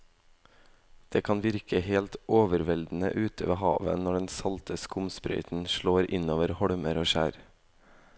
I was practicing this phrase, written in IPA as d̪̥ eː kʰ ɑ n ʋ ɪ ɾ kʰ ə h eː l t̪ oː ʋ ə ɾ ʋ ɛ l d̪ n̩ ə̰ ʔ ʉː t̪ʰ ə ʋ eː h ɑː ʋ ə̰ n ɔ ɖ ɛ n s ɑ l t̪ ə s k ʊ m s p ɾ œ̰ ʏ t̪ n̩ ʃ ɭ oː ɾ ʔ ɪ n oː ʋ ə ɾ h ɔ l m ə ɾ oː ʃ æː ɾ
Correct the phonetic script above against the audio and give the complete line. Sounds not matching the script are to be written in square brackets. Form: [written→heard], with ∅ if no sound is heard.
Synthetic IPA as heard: d̪̥ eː kʰ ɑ n ʋ ɪ ɾ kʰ ə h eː l t̪ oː ʋ ə ɾ ʋ ɛ l d̪ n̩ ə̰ ʔ ʉː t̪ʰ ə ʋ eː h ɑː ʋ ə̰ n ɔ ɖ ɛ n s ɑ l t̪ ə s k ʊ m s p ɾ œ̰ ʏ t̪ n̩ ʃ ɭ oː ɾ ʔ ɪ n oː ʋ ə ɾ h ɔ [l→ɽ] m ə ɾ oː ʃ æː ɾ